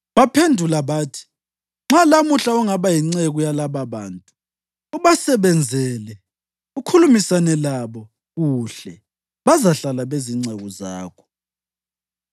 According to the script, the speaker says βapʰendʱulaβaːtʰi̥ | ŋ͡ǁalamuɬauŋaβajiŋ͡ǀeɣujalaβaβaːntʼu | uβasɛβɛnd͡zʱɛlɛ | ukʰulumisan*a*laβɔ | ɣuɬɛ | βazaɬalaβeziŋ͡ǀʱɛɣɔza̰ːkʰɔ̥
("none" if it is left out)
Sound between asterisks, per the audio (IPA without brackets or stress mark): ɛ